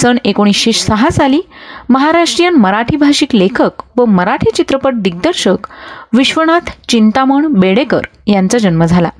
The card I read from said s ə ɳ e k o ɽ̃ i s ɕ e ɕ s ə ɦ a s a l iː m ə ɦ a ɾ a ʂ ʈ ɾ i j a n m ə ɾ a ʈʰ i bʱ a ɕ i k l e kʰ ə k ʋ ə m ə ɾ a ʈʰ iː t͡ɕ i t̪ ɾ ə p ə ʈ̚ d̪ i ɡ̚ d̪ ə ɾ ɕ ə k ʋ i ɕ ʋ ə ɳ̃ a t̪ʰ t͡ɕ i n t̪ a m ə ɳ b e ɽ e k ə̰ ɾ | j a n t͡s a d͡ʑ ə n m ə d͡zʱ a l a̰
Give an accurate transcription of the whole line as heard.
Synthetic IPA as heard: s ə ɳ e k o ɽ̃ i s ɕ e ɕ s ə ɦ a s a l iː m ə ɦ a ɾ a ʂ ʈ ɾ i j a n m ə ɾ a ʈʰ i bʱ a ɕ i k l e kʰ ə k ʋ ə m ə ɾ a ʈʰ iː t͡ɕ i t̪ ɾ ə p ə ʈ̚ d̪ i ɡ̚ d̪ ə ɾ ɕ ə k ʋ i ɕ ʋ ə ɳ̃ a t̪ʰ t͡ɕ i n t̪ a m ə ɳ b e ɽ e k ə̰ ɾ | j a n t͡s a d͡ʑ ə n m ə d͡zʱ a l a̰